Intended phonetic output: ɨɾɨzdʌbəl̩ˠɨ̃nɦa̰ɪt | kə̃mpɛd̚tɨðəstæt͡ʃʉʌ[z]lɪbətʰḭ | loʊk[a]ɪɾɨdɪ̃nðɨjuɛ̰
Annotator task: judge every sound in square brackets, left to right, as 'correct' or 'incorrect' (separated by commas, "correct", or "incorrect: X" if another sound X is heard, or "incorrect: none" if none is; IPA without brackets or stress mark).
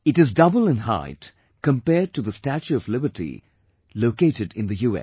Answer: incorrect: v, incorrect: e